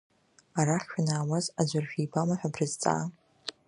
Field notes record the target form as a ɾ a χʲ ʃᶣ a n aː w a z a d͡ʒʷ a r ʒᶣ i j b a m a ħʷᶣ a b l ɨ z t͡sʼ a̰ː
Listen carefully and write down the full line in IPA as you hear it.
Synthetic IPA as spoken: a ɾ a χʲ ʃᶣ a n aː w a z a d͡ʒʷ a r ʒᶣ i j b a m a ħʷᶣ a b r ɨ z t͡sʼ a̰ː